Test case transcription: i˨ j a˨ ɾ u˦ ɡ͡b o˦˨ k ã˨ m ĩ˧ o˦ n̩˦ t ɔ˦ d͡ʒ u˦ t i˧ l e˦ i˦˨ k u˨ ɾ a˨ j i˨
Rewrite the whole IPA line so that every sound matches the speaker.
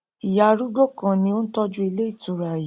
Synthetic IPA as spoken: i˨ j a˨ ɾ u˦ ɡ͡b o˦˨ k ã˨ n ĩ˧ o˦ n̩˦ t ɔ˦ d͡ʒ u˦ i˧ l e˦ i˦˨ t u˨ ɾ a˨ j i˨